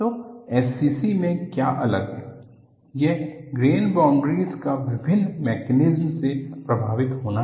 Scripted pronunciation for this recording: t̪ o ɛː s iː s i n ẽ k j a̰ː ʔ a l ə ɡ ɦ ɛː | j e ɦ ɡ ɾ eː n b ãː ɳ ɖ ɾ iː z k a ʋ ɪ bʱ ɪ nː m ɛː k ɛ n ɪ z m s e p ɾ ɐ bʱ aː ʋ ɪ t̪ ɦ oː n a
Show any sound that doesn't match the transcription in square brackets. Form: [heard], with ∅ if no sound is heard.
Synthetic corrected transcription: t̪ o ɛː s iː s i [m] ẽ k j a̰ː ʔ [ɐ] l ə ɡ ɦ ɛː | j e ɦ ɡ ɾ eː n b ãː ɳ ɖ ɾ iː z k a ʋ ɪ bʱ ɪ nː m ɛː k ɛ n ɪ z m s e p ɾ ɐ bʱ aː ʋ ɪ t̪ ɦ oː n a